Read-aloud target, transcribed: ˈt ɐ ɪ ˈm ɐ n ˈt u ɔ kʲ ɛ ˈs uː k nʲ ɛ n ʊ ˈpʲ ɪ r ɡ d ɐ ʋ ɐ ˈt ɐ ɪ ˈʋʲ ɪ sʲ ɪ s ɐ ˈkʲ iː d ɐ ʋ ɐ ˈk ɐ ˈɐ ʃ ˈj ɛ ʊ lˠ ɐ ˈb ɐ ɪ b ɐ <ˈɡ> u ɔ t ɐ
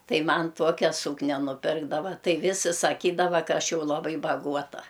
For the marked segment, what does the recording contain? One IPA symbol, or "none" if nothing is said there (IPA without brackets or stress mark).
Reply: ɡ